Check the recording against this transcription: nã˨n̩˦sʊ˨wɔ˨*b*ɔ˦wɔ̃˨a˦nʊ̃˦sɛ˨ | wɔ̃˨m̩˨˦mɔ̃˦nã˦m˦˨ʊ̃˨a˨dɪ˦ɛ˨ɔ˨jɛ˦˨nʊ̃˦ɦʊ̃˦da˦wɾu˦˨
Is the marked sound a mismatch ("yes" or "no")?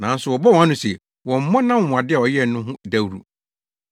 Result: no